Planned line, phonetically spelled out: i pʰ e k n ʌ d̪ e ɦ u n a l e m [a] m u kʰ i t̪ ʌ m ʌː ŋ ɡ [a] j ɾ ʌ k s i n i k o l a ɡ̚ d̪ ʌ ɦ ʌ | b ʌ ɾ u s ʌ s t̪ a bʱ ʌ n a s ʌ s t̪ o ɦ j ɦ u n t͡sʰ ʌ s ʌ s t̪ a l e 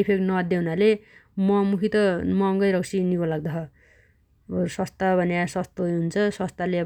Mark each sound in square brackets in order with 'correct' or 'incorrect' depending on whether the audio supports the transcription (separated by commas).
incorrect, incorrect